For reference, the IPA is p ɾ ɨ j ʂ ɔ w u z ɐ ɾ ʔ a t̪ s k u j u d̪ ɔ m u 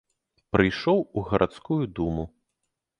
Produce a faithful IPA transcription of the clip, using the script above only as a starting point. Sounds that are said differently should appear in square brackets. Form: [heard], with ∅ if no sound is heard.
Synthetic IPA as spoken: p ɾ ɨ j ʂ ɔ w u [ɣ] ɐ ɾ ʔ a t̪ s k u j u d̪ [u] m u